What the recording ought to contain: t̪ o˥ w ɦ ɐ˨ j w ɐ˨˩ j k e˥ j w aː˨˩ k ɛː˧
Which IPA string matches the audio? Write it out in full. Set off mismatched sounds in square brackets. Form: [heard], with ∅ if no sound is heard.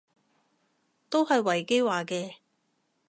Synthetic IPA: t̪ o˥ w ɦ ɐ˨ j w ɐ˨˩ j k e˥ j w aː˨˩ k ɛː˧